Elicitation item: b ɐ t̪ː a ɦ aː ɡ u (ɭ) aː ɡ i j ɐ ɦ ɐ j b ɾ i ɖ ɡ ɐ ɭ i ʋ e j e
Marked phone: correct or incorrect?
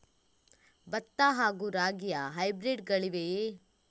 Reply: incorrect: ɾ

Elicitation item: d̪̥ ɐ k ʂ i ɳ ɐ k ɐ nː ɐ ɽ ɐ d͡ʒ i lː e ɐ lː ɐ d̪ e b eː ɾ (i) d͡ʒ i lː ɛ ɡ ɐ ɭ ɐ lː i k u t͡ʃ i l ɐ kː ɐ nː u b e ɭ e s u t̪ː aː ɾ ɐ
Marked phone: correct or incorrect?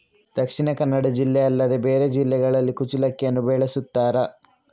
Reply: incorrect: e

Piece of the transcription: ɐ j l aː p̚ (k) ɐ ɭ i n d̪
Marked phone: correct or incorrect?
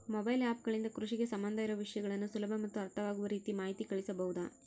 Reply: incorrect: ɡ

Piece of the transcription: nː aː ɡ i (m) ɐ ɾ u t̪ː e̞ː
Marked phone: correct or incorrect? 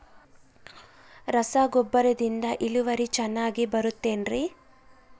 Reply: incorrect: b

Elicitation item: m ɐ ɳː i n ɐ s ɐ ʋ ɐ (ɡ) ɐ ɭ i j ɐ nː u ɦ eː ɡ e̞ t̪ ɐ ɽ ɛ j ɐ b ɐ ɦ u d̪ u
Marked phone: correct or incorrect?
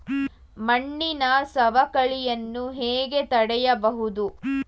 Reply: incorrect: k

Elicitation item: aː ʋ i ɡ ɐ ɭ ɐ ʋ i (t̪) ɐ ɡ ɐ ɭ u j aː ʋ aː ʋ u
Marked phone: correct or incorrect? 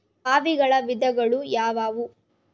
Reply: incorrect: d̪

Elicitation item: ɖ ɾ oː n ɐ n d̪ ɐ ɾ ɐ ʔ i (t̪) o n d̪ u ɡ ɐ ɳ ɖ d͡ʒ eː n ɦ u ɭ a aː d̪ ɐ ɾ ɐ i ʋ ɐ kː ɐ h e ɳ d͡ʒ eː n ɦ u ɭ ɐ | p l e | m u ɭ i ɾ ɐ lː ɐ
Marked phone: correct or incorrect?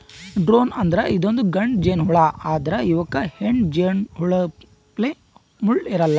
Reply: incorrect: d̪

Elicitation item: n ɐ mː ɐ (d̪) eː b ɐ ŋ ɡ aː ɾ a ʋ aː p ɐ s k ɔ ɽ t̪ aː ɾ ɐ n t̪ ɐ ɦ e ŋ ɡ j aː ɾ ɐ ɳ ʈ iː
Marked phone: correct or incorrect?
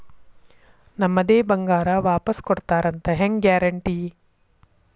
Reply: correct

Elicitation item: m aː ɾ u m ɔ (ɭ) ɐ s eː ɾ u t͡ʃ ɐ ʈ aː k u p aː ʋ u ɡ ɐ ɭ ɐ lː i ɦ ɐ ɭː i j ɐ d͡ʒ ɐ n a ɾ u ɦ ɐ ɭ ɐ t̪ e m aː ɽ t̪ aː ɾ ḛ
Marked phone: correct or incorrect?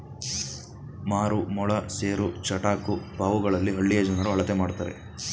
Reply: correct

